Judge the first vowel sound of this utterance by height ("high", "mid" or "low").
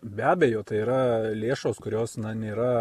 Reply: low